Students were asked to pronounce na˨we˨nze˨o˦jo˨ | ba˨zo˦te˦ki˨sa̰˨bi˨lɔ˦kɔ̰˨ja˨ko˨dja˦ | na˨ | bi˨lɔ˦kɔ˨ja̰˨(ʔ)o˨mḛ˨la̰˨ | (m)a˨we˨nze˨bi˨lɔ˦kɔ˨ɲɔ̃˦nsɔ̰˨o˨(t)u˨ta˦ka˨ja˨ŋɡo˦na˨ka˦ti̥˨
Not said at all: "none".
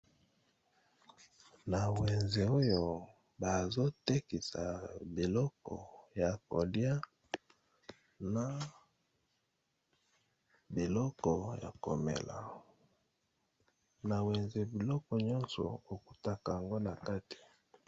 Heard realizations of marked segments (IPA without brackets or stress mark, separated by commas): k, n, k